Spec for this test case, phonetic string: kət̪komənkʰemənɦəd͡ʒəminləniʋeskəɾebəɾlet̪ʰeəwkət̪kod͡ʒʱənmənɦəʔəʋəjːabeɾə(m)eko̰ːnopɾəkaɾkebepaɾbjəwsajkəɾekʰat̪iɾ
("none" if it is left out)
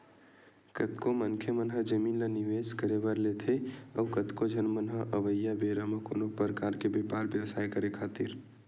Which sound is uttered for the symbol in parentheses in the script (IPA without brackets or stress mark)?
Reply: m